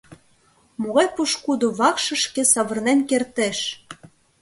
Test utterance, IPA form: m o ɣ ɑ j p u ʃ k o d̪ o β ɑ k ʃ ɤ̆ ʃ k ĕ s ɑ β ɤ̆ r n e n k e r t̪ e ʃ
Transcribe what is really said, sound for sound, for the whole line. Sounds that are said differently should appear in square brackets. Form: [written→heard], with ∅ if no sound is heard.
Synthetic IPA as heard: m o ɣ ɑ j p u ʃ k [o→u] d̪ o β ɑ k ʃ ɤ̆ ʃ k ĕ s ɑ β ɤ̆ r n e n k e r t̪ e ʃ